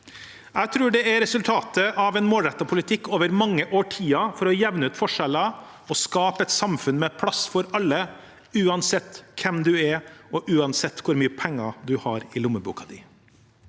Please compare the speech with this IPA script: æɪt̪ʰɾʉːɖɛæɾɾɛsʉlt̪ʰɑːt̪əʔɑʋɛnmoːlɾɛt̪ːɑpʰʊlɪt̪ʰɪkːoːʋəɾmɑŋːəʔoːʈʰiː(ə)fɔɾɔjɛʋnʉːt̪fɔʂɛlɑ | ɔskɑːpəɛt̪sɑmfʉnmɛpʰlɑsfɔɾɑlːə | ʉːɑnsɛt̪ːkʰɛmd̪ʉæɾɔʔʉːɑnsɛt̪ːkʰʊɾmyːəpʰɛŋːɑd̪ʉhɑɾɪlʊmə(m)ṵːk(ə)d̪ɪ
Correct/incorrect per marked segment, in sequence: incorrect, incorrect, incorrect

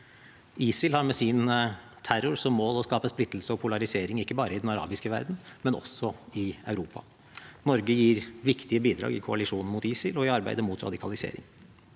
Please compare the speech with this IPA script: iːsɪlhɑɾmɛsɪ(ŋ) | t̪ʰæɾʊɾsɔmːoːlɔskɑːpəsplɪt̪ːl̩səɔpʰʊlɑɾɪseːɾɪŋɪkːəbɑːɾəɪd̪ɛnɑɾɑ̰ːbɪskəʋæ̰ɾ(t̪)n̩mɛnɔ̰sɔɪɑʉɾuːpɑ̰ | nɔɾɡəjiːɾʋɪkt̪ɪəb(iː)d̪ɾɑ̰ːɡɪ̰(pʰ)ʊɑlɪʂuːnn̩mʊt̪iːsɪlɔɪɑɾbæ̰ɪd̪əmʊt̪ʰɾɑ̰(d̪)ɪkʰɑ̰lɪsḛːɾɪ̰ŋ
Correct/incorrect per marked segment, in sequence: incorrect, incorrect, correct, incorrect, correct

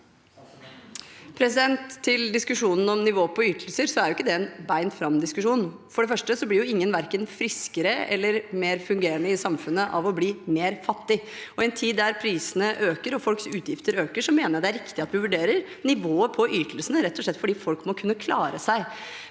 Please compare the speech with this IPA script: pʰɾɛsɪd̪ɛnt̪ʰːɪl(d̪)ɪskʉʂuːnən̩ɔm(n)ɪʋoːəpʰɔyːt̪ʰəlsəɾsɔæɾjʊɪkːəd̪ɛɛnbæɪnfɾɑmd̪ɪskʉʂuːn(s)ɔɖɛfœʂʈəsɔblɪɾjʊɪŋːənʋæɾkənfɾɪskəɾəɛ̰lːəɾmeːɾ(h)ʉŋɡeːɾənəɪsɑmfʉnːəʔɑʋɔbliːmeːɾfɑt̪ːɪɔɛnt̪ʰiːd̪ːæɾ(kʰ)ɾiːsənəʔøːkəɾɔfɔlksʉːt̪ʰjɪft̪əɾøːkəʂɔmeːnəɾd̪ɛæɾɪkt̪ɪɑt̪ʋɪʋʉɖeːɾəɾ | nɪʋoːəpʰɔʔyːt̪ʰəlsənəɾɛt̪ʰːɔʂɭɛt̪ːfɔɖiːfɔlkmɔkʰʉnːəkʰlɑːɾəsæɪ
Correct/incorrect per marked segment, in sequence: correct, correct, incorrect, incorrect, incorrect

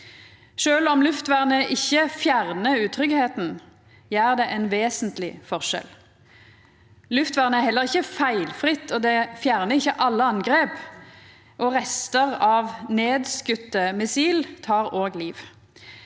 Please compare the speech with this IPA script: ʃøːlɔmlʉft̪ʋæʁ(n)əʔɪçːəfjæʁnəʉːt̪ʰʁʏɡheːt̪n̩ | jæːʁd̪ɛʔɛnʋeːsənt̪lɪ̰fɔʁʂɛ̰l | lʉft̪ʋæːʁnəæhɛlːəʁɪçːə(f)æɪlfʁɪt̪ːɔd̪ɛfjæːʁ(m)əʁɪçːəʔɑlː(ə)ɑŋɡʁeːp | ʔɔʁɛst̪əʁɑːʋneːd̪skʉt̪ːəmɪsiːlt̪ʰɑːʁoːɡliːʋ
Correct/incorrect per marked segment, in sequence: correct, correct, incorrect, correct

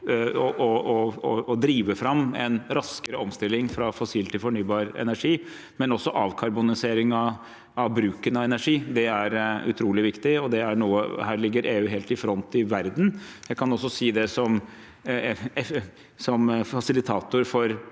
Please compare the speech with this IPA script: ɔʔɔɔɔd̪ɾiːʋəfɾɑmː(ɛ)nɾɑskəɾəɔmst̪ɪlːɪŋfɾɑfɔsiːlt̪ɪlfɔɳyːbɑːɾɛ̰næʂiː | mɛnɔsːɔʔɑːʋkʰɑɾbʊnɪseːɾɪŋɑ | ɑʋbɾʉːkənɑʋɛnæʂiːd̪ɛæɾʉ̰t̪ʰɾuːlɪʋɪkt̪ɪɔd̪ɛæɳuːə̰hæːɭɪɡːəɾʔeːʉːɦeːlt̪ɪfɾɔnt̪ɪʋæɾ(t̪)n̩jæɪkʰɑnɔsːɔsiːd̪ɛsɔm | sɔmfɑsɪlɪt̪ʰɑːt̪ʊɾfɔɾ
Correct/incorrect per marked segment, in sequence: correct, incorrect

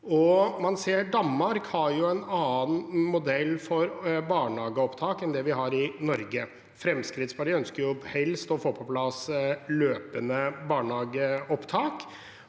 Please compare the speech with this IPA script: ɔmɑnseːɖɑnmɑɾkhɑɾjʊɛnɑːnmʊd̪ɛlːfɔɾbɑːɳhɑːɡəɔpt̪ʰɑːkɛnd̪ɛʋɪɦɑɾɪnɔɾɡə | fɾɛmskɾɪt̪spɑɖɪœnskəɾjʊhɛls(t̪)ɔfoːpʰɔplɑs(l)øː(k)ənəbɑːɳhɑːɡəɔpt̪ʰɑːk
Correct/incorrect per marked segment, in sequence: correct, correct, incorrect

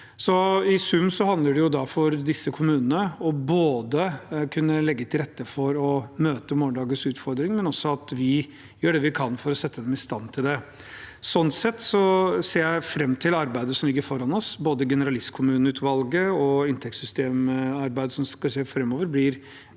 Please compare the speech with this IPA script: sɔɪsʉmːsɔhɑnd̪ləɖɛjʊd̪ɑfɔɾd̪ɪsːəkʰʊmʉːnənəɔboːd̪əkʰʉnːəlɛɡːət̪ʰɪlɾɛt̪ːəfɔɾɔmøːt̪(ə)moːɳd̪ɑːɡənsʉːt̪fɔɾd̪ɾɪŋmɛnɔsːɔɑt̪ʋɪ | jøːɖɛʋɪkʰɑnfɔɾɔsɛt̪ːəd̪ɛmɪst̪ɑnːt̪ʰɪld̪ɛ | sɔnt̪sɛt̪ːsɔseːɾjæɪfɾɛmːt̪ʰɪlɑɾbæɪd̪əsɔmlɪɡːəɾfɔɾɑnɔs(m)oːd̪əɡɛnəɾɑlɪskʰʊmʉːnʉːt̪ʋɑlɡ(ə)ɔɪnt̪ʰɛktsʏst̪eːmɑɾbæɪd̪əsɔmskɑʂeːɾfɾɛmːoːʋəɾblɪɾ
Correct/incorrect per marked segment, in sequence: correct, incorrect, correct

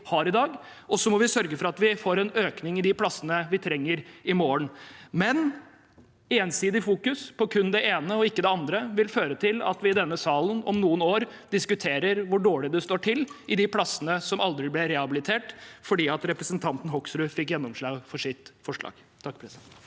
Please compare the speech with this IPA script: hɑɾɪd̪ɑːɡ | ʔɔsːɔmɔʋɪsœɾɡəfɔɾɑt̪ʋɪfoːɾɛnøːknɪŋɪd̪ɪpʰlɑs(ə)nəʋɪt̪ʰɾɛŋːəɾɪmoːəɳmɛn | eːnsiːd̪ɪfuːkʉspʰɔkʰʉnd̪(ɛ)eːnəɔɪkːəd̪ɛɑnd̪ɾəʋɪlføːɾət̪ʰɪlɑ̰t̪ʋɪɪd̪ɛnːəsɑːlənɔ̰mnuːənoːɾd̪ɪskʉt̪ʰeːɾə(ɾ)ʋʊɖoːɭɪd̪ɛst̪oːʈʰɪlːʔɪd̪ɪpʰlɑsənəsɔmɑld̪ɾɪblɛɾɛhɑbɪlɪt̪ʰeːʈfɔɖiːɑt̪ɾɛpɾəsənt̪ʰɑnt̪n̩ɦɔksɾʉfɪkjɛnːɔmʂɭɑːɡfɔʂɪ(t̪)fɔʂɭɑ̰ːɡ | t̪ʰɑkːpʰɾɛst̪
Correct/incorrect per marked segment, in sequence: correct, correct, correct, correct

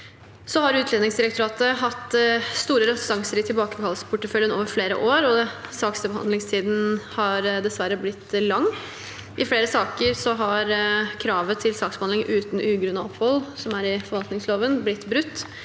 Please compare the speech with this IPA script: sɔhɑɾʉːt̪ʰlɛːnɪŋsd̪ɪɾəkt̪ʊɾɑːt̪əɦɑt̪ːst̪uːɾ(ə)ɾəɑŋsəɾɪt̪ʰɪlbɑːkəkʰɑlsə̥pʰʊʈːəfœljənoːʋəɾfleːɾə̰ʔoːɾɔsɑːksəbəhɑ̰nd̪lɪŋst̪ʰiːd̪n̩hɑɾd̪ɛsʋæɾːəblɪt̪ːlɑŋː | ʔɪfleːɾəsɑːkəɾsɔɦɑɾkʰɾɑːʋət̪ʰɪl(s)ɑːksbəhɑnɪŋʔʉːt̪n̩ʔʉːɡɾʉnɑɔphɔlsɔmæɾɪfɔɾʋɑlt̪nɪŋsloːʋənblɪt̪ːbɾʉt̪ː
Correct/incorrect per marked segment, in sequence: correct, correct

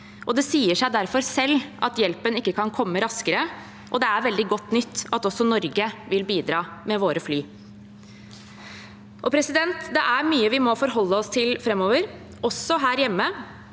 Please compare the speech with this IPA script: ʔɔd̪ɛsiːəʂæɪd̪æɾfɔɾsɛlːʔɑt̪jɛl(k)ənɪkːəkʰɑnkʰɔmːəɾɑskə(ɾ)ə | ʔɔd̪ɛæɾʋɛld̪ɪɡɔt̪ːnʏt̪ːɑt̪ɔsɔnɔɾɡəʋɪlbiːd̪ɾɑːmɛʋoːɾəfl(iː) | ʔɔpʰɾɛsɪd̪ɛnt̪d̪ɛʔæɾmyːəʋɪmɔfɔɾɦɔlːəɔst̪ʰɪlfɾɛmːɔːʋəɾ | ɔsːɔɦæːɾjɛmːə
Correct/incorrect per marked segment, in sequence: incorrect, correct, incorrect

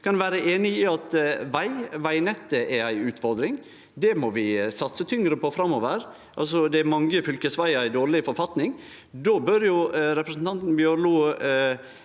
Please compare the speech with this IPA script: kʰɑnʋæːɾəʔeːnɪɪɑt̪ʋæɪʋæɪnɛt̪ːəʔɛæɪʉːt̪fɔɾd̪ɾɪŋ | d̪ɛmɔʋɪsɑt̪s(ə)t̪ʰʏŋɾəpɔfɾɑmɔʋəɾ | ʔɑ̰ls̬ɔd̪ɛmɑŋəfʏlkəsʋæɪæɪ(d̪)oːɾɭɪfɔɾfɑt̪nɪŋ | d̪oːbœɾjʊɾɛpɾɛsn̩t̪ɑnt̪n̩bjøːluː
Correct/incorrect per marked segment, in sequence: correct, correct

